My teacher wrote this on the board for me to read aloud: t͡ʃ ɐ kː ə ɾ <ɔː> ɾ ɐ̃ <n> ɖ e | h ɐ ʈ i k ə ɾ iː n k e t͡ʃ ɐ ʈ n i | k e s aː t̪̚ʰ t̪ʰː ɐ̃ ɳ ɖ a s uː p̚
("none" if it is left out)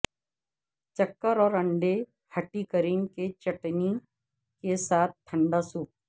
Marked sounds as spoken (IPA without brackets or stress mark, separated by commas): ɔː, ɳ